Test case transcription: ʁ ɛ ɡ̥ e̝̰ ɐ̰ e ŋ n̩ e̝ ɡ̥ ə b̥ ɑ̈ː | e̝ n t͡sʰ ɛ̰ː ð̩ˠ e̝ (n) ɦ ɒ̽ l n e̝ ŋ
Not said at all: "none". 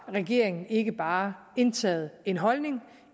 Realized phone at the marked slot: n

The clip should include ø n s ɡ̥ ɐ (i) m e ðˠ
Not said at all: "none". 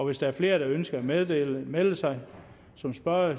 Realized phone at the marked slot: æ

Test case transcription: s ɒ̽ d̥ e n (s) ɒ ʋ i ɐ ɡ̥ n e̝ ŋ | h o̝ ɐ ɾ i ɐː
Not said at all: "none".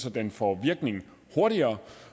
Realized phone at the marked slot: f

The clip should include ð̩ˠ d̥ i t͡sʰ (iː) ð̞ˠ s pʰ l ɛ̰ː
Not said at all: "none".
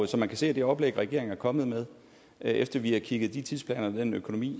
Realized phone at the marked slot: i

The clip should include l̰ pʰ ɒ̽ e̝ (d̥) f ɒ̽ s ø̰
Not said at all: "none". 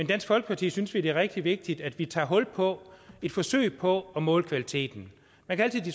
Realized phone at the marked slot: d̥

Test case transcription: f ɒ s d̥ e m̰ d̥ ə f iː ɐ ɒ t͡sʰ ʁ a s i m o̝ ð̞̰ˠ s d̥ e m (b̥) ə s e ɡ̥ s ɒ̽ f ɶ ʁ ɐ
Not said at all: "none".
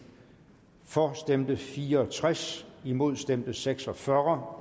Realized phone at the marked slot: d̥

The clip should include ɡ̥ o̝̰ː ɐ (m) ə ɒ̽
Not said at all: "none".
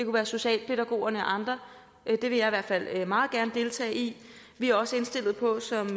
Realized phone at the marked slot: n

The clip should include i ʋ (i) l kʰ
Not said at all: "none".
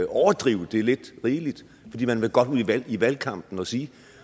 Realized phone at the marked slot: æ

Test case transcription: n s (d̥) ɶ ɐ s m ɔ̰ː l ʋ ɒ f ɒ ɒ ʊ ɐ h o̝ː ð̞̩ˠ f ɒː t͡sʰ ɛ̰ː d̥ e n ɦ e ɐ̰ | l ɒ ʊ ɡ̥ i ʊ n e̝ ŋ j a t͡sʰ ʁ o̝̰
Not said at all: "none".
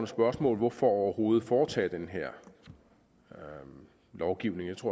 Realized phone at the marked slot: b̥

